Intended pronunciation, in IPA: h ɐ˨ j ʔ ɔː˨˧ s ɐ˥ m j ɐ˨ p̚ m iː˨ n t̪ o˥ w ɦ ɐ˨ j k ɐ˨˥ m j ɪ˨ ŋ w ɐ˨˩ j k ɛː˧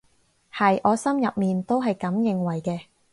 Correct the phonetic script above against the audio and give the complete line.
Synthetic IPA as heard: h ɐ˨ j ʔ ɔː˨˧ s ɐ˥ m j ɐ˨ p̚ m iː˨ n t̪ o˥ w ɦ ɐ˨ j k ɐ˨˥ m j ɪ˨ ŋ w ɐ˨˩ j k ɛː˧